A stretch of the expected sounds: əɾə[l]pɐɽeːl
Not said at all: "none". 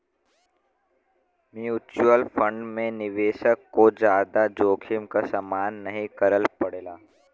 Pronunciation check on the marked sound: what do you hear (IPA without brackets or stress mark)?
l